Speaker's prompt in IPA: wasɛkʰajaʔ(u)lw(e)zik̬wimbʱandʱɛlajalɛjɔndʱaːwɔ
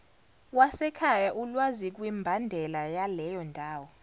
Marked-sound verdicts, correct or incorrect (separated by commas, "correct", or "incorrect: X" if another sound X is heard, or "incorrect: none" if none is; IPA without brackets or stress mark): correct, incorrect: a